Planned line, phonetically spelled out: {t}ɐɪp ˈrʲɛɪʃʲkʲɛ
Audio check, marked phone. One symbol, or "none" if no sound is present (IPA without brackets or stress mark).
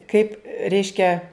k